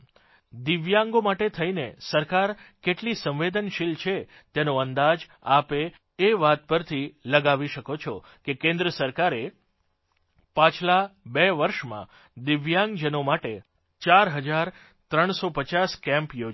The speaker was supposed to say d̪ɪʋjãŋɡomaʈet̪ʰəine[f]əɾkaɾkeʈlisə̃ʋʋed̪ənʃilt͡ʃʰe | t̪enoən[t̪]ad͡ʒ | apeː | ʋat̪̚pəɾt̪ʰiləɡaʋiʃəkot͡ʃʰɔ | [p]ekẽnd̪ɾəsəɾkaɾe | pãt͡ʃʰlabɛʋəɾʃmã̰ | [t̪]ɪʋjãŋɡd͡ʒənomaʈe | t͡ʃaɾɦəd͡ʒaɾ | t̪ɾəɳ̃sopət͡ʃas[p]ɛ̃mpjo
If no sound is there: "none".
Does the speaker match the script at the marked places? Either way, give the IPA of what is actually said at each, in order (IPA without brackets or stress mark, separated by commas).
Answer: s, d̪, k, d̪, k